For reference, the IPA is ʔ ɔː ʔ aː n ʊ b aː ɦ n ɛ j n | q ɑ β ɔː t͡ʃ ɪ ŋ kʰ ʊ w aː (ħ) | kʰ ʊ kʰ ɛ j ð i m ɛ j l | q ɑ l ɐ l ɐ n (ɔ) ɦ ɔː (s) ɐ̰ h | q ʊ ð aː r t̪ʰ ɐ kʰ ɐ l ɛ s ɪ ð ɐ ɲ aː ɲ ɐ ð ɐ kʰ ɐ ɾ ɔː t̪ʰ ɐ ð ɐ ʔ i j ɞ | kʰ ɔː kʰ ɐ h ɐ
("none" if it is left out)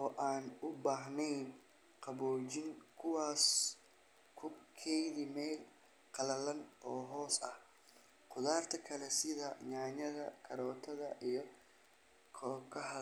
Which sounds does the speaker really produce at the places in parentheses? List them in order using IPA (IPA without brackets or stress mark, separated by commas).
s, ɔː, s